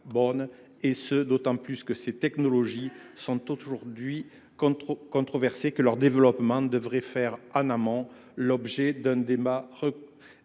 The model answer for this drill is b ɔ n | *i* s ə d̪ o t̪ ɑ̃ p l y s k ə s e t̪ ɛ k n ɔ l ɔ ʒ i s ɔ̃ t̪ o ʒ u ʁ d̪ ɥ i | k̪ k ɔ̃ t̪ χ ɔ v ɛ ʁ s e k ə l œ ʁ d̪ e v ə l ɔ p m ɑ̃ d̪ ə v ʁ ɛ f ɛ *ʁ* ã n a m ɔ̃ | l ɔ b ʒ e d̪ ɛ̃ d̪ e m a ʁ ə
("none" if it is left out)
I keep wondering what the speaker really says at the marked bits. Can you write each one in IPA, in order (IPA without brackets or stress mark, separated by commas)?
e, ʁ